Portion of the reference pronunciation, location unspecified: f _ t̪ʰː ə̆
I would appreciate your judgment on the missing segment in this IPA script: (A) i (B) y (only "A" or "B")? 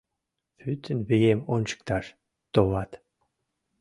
B